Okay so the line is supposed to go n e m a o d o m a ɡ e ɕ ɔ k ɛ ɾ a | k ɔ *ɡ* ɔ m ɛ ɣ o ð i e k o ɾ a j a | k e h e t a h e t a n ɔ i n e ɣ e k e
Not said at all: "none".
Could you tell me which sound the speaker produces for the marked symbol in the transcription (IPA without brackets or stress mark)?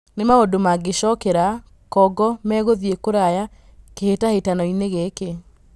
ɡ